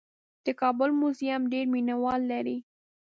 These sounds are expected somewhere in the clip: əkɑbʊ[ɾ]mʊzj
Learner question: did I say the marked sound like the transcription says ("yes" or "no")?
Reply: no